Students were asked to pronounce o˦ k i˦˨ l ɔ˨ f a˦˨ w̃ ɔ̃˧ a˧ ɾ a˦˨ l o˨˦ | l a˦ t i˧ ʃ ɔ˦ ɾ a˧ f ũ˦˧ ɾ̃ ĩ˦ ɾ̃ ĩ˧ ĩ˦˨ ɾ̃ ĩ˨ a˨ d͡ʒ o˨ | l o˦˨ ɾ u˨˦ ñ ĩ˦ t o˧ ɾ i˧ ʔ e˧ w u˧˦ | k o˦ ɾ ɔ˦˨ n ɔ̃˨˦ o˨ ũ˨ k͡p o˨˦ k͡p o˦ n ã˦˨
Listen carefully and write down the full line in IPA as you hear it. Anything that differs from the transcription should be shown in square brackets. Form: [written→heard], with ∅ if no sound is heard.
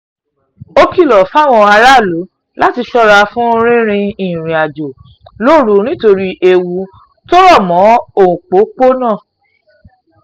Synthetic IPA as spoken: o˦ k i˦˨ l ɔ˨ f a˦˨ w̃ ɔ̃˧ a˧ ɾ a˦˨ l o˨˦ | l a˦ t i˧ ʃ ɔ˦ ɾ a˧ f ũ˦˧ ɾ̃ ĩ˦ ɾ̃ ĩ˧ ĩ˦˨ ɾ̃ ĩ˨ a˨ d͡ʒ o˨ | l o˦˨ ɾ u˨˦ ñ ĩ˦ t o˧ ɾ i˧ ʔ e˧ w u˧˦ | [k→t] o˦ ɾ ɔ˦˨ [n→m] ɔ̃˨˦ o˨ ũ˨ k͡p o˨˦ k͡p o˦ n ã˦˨